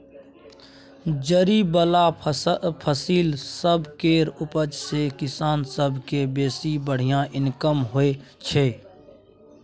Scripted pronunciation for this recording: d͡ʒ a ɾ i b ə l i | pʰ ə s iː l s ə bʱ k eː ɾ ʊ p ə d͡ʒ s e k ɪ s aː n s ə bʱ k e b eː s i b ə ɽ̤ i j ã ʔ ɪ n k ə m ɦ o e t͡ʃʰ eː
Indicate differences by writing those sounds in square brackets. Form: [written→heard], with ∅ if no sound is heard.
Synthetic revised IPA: d͡ʒ [a→ə] ɾ i b ə l [i→a] | pʰ ə s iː l s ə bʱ k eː ɾ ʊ p ə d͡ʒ s e k ɪ s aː n s ə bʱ k e b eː s i b ə ɽ̤ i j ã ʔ ɪ n k ə m ɦ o e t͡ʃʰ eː